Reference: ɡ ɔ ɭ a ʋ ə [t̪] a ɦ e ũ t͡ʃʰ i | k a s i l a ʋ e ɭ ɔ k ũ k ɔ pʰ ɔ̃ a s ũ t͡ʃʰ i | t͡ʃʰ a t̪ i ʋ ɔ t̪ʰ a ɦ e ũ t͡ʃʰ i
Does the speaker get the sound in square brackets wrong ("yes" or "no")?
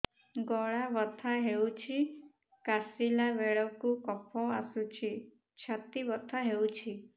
yes